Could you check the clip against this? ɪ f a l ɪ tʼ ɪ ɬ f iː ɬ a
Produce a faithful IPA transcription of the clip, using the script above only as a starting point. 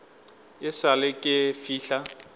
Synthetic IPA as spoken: ɪ s a l ɪ kʼ ɪ f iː ɬ a